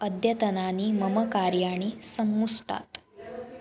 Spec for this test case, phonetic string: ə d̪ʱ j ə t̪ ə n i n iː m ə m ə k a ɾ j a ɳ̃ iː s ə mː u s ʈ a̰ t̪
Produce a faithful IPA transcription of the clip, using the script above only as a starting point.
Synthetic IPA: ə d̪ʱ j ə t̪ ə n a n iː m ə m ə k a ɾ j a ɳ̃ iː s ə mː u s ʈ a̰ t̪